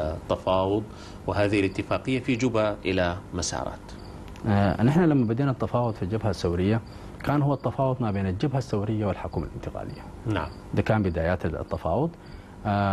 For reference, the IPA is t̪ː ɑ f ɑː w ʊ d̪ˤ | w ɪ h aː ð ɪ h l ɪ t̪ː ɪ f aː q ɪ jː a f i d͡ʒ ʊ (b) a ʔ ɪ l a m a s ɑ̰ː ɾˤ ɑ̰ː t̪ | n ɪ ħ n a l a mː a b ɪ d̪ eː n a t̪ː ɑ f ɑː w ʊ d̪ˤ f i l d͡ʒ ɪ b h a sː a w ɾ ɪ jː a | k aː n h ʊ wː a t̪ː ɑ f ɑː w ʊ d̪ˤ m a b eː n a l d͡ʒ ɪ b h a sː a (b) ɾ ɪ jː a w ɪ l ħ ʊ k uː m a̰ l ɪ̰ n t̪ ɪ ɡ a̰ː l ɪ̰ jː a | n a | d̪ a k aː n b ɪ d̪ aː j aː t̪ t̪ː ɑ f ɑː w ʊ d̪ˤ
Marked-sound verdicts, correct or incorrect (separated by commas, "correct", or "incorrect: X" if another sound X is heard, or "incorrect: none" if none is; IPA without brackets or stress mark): correct, incorrect: w